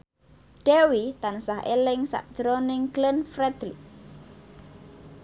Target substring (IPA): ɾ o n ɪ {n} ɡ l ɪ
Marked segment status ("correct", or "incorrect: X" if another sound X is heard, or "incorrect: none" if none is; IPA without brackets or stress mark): incorrect: ŋ